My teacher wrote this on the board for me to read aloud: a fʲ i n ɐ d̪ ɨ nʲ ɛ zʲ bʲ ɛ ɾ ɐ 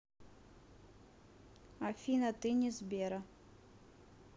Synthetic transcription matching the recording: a fʲ i n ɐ t̪ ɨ nʲ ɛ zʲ bʲ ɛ ɾ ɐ